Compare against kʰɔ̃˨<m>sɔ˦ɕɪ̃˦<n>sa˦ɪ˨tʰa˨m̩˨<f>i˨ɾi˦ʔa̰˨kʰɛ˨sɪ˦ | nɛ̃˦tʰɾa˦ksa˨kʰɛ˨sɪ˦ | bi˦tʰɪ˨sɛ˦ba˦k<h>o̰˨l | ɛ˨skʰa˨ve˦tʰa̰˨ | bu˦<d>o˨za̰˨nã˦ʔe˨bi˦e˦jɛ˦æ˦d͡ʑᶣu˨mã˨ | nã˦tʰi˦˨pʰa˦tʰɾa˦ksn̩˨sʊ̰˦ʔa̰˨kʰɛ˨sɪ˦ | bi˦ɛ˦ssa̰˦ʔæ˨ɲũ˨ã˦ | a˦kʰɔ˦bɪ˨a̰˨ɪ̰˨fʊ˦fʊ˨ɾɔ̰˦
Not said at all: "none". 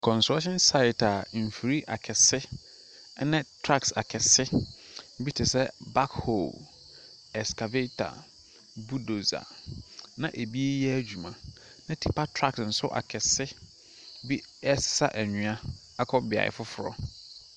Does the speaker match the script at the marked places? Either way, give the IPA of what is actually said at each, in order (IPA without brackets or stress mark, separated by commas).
n, n, f, h, d